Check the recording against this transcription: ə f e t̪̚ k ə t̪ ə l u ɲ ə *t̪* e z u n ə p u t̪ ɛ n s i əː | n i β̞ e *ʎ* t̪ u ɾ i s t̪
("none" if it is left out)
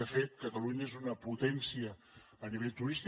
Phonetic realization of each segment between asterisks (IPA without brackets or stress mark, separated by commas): none, ʎ